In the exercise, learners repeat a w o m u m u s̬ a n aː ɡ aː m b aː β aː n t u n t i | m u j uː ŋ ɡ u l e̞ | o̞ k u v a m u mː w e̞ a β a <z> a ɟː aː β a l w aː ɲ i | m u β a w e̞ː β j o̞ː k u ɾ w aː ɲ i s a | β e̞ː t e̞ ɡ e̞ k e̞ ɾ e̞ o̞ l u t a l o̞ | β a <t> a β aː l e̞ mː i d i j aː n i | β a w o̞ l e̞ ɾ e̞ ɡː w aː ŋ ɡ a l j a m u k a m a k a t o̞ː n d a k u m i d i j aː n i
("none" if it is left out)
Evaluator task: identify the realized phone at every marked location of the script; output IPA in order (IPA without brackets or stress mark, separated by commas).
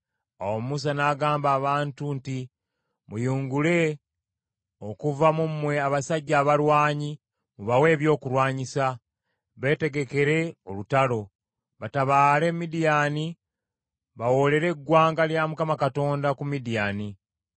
s, t